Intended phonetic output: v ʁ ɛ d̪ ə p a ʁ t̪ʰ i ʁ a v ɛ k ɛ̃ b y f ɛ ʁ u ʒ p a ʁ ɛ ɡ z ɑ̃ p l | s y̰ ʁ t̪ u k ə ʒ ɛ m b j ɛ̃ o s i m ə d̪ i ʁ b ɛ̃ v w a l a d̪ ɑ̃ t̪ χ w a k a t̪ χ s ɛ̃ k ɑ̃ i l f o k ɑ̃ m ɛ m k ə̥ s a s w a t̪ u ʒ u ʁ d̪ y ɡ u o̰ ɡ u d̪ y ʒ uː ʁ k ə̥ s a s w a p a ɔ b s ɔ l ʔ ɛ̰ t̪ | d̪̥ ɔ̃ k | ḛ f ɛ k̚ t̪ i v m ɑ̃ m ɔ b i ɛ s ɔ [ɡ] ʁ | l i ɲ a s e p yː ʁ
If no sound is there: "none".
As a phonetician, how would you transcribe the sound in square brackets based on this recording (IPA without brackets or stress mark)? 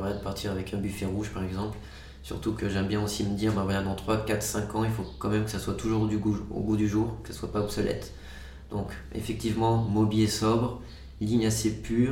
b